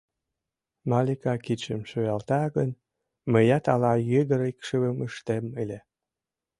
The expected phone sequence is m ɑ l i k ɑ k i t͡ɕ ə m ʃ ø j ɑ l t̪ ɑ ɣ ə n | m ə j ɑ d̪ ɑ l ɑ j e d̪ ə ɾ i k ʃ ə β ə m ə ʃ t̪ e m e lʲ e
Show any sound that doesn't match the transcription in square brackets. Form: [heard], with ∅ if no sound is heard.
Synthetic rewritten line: m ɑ l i k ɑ k i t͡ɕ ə m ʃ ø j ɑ l t̪ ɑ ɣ ə n | m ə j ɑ [t̪] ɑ l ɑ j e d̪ ə ɾ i k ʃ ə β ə m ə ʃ t̪ e m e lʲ e

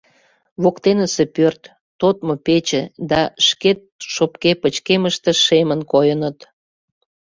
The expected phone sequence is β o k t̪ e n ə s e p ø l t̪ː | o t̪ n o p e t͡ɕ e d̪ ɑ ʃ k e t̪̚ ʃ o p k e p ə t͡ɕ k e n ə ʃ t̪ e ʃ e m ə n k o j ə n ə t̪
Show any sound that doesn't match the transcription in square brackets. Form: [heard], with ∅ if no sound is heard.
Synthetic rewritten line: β o k t̪ e n ə s e p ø [r] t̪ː | o t̪ [m] o p e t͡ɕ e d̪ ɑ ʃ k e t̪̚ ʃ o p k e p ə t͡ɕ k e [m] ə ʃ t̪ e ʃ e m ə n k o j ə n ə t̪

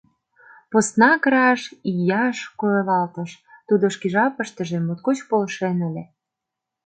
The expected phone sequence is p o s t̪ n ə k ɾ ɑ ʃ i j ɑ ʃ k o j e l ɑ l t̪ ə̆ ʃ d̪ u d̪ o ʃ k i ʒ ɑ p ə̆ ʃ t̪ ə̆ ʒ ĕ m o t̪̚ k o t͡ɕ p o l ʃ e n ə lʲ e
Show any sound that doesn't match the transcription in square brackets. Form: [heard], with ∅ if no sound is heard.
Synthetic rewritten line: p o s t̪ n [ɑ] k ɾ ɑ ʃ i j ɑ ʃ k o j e l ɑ l t̪ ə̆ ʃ [t̪] u d̪ o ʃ k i ʒ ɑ p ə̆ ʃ t̪ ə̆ ʒ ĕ m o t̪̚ k o t͡ɕ p o l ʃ e n ə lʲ e

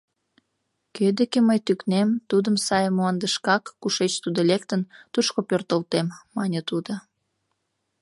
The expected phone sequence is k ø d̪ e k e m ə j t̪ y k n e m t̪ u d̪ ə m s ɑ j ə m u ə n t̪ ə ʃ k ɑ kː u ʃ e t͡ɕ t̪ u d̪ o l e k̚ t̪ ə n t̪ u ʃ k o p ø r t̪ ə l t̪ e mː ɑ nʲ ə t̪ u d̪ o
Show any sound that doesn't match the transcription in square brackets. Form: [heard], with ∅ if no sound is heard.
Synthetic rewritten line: k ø d̪ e k e m ə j t̪ y k n e m t̪ u d̪ ə m s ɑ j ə m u [ɑ] n [d̪] ə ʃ k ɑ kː u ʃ e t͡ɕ t̪ u d̪ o l e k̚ t̪ ə n t̪ u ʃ k o p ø r t̪ ə l t̪ e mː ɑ nʲ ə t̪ u d̪ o

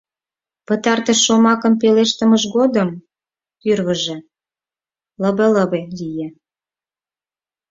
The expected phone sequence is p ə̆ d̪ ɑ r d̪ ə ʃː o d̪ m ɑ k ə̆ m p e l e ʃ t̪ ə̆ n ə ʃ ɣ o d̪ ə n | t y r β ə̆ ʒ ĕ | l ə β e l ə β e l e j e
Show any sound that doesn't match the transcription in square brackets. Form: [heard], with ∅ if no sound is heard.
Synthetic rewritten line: p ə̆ [t̪] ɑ r [t̪] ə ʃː o [∅] m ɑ k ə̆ m p e l e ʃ t̪ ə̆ [m] ə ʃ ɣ o d̪ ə [m] | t y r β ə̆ ʒ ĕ | l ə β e l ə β e l [i] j e

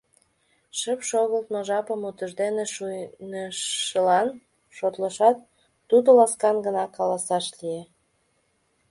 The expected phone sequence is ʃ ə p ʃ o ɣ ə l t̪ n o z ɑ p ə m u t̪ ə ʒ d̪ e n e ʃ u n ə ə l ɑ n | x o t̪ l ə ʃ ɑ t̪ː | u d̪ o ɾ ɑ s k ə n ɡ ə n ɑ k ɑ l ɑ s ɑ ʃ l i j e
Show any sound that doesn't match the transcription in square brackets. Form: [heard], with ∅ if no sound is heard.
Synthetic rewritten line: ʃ ə p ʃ o ɣ ə l t̪ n o [ʒ] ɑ p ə m u t̪ ə ʒ d̪ e n e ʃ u n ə ə l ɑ n | [ʃ] o t̪ l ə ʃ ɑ t̪ː | u d̪ o [l] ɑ s k [ɑ] n ɡ ə n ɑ k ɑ l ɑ s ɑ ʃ l i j e

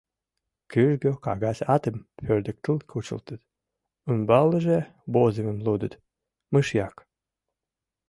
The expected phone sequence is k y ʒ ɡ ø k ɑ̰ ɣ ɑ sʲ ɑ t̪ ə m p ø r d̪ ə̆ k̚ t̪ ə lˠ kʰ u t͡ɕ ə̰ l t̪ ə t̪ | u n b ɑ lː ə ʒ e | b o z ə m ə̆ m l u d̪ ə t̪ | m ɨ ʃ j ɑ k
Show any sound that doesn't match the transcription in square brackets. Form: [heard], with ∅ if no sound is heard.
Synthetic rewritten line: k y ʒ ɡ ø k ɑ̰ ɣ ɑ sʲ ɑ t̪ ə m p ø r d̪ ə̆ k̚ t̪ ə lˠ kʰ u t͡ɕ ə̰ l t̪ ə t̪ | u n b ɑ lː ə ʒ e | b o z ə m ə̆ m l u d̪ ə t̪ | m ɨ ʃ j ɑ k

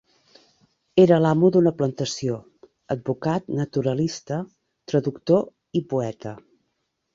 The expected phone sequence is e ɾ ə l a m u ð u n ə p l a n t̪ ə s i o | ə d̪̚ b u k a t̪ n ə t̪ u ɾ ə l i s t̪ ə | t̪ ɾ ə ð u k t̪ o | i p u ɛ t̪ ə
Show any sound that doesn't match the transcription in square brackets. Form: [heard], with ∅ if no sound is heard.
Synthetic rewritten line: e ɾ ə l a m u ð u n ə p l [ə] n t̪ ə s i o | ə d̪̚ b u k a t̪ n ə t̪ u ɾ ə l i s t̪ ə | t̪ ɾ ə ð u k t̪ o | i p u ɛ t̪ ə

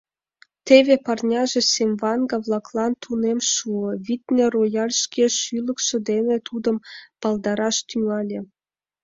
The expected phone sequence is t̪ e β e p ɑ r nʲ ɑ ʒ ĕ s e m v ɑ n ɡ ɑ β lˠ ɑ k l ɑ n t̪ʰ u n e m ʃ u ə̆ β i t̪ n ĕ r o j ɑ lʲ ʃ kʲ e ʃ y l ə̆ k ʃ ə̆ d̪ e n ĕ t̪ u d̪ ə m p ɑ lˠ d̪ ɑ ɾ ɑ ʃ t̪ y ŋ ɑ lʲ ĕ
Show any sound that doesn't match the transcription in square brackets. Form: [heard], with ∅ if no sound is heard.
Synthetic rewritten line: t̪ e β e p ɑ r nʲ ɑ ʒ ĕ s e m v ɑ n ɡ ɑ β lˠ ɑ k l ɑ n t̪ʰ u n e m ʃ u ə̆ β i t̪ n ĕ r o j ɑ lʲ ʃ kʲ e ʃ y l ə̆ k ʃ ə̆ d̪ e n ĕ t̪ u d̪ ə m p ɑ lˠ d̪ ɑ ɾ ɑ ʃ t̪ y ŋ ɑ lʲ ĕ

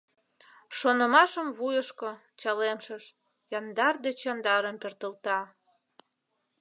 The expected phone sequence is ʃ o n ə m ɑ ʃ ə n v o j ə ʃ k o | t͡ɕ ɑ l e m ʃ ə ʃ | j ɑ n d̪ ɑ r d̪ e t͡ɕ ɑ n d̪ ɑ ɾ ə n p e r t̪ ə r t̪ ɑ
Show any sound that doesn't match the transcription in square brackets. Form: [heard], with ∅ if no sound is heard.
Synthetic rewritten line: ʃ o n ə m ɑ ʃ ə [m] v [u] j ə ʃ k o | t͡ɕ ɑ l e m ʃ ə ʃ | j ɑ n d̪ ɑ r d̪ e t͡ɕ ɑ n d̪ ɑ ɾ ə [m] p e r t̪ ə [l] t̪ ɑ

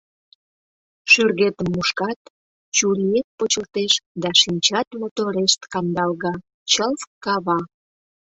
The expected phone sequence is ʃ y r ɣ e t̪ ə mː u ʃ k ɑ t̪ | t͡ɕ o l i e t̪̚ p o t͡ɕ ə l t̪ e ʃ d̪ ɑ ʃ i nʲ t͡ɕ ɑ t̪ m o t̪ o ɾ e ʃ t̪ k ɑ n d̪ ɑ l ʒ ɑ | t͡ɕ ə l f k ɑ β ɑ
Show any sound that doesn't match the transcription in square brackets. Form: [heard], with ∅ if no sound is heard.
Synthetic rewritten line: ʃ y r ɣ e t̪ ə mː u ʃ k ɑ t̪ | t͡ɕ [u] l i e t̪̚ p o t͡ɕ ə l t̪ e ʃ d̪ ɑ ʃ i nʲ t͡ɕ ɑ t̪ m o t̪ o ɾ e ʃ t̪ k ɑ n d̪ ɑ l [ɣ] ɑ | t͡ɕ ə l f k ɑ β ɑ

